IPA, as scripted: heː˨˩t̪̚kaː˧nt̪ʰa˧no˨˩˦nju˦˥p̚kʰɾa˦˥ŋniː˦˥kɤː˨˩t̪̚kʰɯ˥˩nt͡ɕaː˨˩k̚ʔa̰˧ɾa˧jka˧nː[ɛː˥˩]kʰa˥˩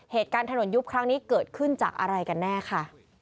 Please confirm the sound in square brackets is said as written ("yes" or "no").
yes